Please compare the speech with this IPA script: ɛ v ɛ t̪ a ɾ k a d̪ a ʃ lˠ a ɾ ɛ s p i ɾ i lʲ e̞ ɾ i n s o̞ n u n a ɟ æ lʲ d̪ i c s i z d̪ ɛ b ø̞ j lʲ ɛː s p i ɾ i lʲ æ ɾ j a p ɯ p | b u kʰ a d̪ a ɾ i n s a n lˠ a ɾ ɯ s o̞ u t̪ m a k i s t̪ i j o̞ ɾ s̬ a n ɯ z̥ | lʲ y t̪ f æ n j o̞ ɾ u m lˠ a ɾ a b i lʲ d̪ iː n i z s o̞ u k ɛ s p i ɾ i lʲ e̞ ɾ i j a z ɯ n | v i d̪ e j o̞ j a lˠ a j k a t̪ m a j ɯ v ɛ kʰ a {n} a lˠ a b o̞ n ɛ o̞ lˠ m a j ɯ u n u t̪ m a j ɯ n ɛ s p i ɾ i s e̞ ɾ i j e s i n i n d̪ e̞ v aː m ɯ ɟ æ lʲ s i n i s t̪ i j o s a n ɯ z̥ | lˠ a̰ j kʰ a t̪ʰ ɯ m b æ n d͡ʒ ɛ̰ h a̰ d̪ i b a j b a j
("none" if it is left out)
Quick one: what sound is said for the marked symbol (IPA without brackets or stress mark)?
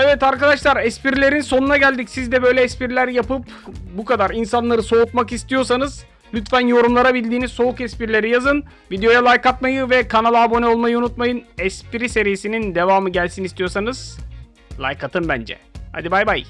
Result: n